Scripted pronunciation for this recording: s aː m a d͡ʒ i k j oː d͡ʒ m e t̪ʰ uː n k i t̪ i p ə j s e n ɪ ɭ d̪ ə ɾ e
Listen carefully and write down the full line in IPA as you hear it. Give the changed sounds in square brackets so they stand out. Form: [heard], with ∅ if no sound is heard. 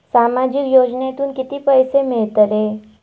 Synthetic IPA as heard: s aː m a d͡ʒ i k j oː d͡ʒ [n] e [t̪] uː n k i t̪ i p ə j s e [m] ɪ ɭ [t̪] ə ɾ e

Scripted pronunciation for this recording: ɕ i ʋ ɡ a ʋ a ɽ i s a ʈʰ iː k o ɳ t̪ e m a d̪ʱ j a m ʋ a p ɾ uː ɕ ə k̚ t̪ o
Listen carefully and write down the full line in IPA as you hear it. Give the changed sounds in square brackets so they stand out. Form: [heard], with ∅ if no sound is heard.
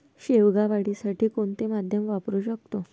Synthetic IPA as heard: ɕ [e] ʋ ɡ a ʋ a ɽ i s a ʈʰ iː k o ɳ t̪ e m a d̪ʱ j [ə] m ʋ a p ɾ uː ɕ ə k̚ t̪ o

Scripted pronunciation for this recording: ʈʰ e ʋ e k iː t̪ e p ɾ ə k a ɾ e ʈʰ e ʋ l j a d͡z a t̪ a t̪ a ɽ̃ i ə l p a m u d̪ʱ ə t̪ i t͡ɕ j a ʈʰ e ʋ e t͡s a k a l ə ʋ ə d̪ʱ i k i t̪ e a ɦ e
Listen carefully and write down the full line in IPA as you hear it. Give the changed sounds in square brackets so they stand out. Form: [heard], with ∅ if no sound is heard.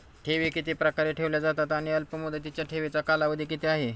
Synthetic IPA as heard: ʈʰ e ʋ e k [i] t̪ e p ɾ ə k a ɾ e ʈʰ e ʋ l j a d͡z a t̪ a t̪ a ɽ̃ i ə l p [ə] m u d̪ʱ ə t̪ i t͡ɕ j a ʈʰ e ʋ e t͡s a k a l [a] ʋ ə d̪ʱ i k i t̪ e a ɦ e

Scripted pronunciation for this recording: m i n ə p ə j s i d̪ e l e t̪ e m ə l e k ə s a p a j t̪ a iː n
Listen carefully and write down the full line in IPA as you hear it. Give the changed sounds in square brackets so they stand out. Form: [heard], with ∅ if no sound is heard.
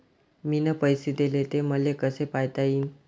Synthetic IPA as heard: m i n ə p ə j s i d̪ e l e t̪ e m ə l e k ə s [e] p a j t̪ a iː n

